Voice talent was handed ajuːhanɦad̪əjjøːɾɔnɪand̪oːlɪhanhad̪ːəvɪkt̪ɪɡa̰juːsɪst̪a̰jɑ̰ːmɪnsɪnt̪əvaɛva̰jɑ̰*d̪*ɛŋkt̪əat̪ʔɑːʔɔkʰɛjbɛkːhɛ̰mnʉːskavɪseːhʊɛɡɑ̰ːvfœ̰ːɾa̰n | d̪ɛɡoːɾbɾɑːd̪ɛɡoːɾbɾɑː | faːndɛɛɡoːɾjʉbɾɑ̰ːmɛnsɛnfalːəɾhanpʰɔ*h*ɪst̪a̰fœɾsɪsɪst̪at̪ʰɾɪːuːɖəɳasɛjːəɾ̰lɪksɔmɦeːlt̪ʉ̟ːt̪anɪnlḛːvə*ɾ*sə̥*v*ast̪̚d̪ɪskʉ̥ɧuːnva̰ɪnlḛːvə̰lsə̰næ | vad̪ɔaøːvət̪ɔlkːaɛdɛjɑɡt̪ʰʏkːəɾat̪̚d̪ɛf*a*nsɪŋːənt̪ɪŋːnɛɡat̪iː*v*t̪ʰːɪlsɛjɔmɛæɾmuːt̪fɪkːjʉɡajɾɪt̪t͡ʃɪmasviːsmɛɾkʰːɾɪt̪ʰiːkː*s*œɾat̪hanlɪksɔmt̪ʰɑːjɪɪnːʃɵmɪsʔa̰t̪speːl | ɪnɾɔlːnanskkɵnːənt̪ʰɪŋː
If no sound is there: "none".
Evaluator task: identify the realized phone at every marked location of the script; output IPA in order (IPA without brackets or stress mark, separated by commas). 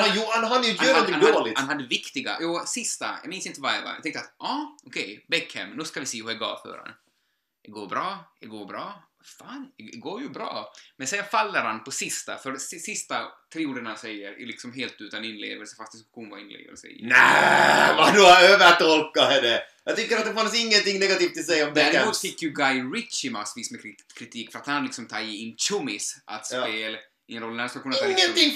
t̪, s, l, f, a, f, f